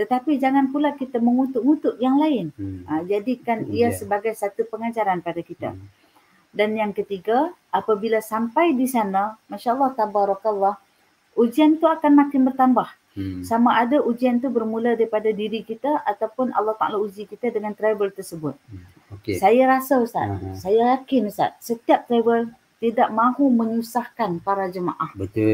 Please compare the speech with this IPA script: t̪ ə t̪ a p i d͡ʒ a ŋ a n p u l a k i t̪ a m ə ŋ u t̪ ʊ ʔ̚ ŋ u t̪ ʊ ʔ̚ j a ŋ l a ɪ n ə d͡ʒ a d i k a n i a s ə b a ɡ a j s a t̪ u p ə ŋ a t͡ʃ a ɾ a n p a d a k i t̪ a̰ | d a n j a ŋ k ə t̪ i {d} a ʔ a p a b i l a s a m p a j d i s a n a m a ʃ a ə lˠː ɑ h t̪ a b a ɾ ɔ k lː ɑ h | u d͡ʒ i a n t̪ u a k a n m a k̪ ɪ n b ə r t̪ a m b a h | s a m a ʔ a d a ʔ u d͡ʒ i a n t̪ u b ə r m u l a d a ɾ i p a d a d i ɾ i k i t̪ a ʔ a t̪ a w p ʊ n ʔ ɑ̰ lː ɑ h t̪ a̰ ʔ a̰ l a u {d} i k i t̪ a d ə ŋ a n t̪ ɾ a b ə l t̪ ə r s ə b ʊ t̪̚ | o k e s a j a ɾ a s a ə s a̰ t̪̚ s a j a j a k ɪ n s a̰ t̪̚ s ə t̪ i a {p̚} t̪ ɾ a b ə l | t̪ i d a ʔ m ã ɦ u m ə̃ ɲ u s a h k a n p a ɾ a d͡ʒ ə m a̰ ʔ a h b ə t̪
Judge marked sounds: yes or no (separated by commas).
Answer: no, no, yes